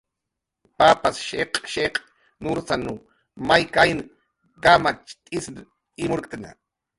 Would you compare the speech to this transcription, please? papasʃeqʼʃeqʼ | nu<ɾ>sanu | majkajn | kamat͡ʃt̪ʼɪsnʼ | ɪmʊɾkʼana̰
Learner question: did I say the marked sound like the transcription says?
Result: yes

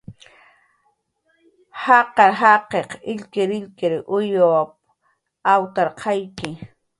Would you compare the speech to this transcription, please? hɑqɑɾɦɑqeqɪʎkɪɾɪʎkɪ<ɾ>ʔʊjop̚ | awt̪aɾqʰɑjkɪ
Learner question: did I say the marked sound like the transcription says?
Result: yes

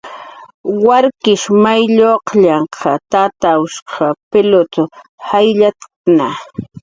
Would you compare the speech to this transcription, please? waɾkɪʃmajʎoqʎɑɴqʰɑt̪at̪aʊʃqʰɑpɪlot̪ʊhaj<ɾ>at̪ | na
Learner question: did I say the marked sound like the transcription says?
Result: no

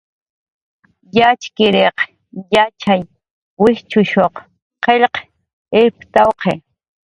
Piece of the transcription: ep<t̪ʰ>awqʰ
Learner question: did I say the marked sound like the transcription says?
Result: no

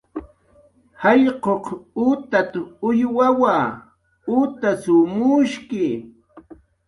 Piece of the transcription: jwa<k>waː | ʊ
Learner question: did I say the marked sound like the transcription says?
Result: no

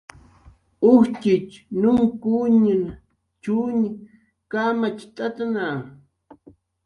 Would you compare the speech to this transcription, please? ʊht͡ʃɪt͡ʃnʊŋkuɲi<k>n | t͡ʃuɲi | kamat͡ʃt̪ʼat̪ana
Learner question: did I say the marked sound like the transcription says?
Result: no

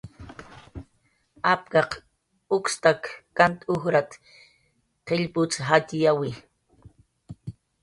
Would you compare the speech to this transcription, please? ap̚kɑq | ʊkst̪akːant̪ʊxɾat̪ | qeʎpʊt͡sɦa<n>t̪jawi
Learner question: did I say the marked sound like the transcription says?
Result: no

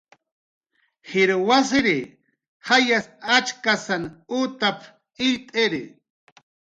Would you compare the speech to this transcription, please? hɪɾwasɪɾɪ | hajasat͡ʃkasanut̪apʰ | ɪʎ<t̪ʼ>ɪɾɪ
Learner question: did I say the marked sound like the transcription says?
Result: yes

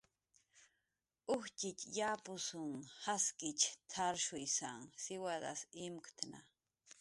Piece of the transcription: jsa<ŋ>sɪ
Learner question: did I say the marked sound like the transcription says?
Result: yes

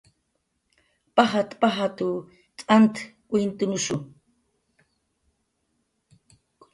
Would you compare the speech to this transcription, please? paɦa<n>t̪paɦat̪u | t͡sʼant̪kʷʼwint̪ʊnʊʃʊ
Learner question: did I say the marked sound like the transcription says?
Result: no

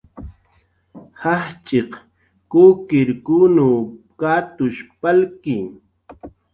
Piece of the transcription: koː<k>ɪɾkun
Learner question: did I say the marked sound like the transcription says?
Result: yes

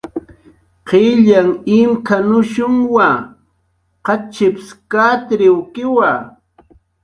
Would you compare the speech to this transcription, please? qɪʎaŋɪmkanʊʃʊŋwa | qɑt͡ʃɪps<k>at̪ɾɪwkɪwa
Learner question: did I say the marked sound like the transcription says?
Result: yes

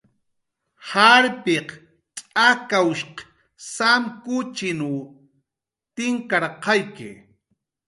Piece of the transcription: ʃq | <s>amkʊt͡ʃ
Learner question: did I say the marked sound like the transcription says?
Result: yes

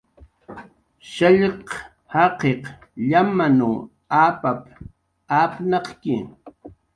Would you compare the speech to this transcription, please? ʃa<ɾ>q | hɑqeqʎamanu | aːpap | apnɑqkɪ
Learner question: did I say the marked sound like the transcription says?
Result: no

